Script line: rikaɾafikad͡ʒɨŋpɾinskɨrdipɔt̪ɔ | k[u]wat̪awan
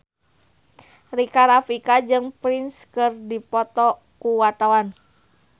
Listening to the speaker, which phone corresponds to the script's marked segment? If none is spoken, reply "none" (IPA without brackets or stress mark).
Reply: u